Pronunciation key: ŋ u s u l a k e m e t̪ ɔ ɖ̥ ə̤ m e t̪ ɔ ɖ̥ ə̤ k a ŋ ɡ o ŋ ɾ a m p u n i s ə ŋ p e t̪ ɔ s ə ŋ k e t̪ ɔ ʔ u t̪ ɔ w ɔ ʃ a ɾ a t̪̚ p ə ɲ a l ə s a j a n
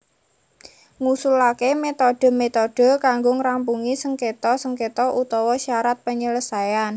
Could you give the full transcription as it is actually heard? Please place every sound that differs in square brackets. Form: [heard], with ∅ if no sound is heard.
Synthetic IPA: ŋ u s u l a k e m e t̪ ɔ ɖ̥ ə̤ m e t̪ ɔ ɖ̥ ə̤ k a ŋ ɡ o ŋ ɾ a m p u [ŋ] i s ə ŋ [k] e t̪ ɔ s ə ŋ k e t̪ ɔ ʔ u t̪ ɔ w ɔ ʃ a ɾ a t̪̚ p ə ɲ [ə] l ə s a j a n